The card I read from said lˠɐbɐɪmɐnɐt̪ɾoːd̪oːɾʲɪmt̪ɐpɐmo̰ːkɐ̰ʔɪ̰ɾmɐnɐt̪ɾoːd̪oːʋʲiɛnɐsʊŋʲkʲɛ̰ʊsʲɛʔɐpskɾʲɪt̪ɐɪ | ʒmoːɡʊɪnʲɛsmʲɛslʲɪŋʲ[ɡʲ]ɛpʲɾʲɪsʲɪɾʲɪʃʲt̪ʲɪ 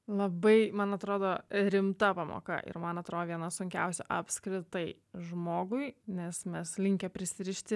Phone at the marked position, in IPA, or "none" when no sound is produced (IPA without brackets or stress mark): kʲ